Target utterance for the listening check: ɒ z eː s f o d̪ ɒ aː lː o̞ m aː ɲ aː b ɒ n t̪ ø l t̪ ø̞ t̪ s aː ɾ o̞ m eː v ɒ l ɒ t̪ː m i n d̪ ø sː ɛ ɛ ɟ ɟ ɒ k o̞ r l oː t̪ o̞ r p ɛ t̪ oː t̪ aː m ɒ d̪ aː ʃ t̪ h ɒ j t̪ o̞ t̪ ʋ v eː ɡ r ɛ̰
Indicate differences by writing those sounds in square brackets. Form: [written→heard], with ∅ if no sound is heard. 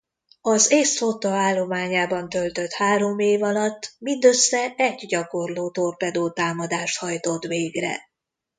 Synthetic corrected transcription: ɒ z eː s f o [d̪→t̪] ɒ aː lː o̞ m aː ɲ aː b ɒ n t̪ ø l t̪ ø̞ t̪ [s→h] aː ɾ o̞ m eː v ɒ l ɒ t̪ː m i n d̪ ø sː ɛ ɛ ɟ ɟ ɒ k o̞ r l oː t̪ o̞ r p ɛ [t̪→d̪] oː t̪ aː m ɒ d̪ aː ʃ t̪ h ɒ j t̪ o̞ t̪ ʋ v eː ɡ r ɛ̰